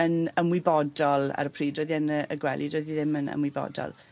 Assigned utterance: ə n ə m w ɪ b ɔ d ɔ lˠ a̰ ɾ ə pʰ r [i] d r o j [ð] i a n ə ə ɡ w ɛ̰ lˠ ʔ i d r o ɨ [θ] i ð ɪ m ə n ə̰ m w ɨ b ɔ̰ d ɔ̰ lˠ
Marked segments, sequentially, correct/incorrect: incorrect, correct, incorrect

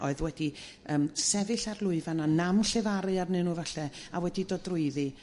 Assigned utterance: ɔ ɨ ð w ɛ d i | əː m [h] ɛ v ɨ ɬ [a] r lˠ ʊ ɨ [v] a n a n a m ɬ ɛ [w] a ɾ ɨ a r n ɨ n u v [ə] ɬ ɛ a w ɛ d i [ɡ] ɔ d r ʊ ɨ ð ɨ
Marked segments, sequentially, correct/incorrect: incorrect, correct, correct, incorrect, incorrect, incorrect

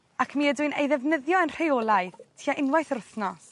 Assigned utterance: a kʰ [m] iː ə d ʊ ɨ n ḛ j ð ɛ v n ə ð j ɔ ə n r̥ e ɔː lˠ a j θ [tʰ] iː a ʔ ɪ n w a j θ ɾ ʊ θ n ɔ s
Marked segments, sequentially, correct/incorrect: correct, correct

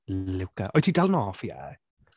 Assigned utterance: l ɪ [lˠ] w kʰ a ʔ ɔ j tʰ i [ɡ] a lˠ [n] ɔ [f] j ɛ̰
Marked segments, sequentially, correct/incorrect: incorrect, incorrect, correct, correct

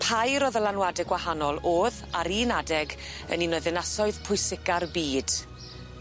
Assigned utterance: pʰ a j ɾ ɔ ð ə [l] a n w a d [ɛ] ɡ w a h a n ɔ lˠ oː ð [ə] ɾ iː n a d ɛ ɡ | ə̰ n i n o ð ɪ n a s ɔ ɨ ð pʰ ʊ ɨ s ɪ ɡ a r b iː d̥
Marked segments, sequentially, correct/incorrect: correct, correct, incorrect

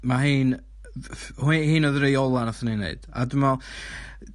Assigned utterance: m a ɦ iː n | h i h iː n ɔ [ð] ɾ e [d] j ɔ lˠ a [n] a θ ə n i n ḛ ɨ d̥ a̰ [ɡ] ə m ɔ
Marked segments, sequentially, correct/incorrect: correct, incorrect, correct, incorrect

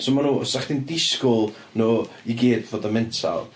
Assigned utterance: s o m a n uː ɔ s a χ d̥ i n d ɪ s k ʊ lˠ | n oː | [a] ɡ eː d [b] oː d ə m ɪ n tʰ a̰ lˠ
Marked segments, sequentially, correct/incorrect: incorrect, incorrect

